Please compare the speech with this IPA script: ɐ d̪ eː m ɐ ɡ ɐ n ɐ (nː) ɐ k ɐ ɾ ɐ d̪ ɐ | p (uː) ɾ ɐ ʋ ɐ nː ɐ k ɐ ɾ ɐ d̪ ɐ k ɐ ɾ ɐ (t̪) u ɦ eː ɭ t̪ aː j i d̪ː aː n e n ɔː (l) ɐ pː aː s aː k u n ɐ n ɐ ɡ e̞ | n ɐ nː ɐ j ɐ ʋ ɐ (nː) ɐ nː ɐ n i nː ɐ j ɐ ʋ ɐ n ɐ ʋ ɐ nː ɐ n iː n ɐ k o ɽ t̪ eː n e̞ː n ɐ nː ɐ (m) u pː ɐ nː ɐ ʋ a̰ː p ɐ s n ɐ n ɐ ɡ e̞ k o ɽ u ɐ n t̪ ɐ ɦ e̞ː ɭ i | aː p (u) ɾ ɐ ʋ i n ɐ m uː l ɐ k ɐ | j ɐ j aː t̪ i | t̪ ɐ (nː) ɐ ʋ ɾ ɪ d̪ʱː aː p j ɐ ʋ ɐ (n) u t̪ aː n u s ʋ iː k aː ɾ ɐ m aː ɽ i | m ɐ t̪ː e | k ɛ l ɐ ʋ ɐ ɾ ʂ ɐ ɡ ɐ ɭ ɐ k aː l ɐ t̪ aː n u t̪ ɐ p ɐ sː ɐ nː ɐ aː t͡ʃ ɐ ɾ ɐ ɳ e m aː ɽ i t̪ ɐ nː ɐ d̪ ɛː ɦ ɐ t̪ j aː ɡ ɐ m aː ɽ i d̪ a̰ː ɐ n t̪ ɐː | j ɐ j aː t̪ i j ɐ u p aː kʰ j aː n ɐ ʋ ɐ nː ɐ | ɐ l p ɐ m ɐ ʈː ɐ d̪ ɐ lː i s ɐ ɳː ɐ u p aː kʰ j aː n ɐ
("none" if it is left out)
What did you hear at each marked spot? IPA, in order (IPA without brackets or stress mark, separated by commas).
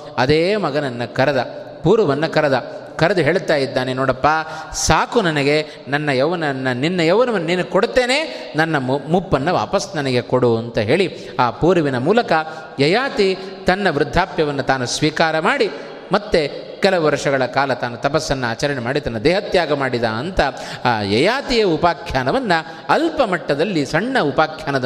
nː, uː, d̪, ɽ, n, m, uː, nː, nː